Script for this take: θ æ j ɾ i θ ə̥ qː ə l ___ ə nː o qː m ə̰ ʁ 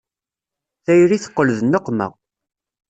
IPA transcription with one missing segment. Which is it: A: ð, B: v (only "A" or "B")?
A